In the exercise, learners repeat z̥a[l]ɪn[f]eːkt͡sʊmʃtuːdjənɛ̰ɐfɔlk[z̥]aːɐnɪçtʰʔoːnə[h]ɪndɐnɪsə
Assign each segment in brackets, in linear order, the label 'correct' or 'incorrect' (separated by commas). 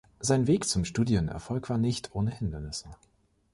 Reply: incorrect, incorrect, incorrect, correct